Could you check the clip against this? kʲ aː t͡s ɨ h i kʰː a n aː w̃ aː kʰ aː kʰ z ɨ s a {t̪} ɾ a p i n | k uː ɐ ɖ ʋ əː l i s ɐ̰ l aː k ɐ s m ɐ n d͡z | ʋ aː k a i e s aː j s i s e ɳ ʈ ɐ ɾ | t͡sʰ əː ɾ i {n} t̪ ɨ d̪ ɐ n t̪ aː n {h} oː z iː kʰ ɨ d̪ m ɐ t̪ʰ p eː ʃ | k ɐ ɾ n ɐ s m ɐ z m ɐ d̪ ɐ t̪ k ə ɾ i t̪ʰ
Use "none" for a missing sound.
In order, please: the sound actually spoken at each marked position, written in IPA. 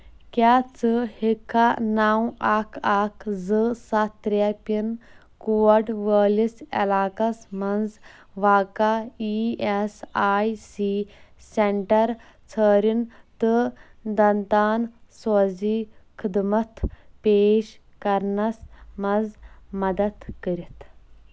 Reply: t̪, n, s

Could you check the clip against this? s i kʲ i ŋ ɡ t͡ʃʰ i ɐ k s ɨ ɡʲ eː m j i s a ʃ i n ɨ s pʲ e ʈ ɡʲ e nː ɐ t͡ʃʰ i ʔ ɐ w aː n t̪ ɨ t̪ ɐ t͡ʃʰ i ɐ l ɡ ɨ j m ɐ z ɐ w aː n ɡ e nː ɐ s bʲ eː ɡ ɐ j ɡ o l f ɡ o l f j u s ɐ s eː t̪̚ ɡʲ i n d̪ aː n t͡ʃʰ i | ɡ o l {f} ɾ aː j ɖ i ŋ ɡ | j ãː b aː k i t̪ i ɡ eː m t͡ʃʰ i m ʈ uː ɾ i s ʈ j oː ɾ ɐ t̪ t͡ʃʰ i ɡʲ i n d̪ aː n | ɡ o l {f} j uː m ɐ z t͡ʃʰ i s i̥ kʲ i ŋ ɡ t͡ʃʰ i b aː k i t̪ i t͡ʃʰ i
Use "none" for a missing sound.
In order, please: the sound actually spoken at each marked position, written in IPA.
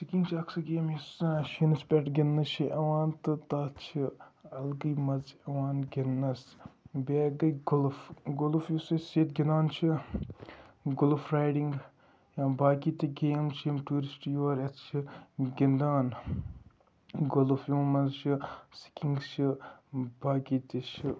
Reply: f, f

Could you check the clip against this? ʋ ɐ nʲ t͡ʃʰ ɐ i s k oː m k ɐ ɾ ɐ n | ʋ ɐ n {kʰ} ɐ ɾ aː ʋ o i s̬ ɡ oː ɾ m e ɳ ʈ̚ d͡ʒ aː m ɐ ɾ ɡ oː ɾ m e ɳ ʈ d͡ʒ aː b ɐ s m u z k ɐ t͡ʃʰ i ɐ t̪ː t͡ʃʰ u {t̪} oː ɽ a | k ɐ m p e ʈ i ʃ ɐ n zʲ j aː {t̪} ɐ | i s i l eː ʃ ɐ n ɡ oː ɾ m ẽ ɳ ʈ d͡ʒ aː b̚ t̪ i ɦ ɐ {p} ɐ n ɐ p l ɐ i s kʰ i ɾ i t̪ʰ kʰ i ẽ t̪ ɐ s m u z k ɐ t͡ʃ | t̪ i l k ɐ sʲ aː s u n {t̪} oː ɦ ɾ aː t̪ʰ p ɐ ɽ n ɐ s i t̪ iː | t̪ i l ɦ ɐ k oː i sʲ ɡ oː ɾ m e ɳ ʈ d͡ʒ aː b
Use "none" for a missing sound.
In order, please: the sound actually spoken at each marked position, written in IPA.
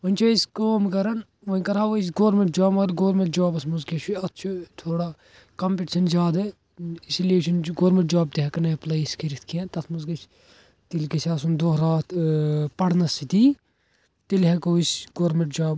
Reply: k, t̪ʰ, d̪, k, d̪

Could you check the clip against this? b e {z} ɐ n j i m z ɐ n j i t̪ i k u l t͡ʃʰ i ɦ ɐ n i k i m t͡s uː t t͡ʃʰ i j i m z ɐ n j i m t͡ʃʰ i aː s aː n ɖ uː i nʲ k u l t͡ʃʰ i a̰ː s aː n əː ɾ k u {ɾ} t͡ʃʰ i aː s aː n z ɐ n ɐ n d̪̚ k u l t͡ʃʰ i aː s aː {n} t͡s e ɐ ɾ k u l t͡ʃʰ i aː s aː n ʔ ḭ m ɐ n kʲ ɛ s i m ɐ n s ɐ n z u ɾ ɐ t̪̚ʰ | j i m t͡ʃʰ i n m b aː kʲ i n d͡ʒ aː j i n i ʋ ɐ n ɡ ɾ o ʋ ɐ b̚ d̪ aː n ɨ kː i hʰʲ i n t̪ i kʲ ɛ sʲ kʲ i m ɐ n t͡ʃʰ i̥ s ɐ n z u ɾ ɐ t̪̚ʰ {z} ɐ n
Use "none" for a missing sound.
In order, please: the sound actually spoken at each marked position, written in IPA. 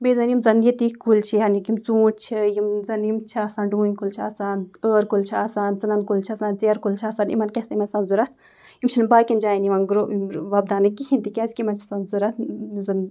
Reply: z, l, n, z

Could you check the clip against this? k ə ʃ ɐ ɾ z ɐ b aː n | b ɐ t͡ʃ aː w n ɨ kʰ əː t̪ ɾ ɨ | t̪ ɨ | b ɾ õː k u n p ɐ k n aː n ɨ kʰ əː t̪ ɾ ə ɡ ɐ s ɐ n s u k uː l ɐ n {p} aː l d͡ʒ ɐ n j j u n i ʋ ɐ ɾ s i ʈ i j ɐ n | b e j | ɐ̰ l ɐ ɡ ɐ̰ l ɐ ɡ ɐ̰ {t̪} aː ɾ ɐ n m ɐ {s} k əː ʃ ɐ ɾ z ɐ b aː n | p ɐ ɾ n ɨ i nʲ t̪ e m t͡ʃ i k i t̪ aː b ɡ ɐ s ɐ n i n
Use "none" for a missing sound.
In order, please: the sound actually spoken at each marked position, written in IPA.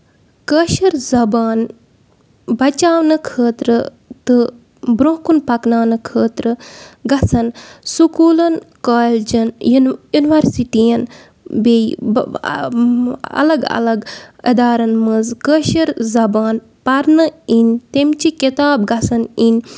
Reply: k, d̪, z

